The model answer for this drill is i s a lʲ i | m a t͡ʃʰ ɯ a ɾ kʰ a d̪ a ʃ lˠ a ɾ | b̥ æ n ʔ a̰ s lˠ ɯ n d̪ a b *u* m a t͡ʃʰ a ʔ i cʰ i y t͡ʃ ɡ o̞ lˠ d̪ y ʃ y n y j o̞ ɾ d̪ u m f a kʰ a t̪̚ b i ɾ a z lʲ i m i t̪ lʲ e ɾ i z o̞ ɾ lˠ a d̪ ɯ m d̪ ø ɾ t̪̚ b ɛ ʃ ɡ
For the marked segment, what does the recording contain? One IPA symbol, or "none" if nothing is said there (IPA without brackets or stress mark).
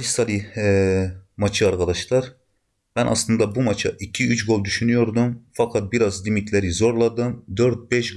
u